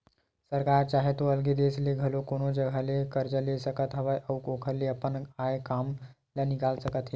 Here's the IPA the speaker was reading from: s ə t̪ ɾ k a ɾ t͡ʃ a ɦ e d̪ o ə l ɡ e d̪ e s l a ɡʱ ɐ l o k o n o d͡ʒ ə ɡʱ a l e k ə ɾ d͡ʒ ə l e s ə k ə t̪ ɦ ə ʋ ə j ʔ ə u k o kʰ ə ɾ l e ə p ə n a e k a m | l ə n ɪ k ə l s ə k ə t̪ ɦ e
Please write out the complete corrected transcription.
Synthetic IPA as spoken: s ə ɾ k a ɾ t͡ʃ a ɦ e t̪ o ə l ɡ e d̪ e s l e ɡʱ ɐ l o k o n o d͡ʒ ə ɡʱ a l e k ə ɾ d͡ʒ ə l e s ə k ə t̪ ɦ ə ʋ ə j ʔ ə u k o kʰ ə ɾ l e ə p ə n a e k a m | l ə n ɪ k a l s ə k ə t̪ ɦ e